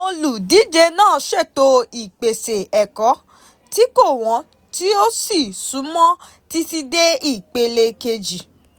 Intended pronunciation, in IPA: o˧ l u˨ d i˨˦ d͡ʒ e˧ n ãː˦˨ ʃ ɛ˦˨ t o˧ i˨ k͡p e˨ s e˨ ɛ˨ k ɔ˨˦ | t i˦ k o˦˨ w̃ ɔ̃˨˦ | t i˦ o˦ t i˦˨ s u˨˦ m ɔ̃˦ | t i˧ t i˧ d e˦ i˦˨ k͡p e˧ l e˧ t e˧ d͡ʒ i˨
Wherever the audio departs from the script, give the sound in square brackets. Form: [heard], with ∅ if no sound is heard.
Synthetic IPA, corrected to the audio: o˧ l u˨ d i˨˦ d͡ʒ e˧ n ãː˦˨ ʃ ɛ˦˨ t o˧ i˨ k͡p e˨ s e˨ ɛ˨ k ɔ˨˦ | t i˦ k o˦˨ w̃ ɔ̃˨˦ | t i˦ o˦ [s] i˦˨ s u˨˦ m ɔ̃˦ | t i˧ t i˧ d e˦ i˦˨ k͡p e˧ l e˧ [k] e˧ d͡ʒ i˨